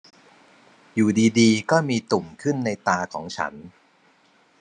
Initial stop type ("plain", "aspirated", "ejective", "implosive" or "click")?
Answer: plain